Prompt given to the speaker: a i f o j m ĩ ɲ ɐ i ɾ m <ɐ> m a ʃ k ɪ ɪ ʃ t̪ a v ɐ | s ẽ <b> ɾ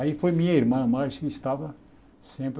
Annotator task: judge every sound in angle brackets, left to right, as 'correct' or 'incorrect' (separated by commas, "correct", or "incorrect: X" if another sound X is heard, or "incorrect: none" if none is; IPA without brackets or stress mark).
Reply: incorrect: ɐ̃, incorrect: p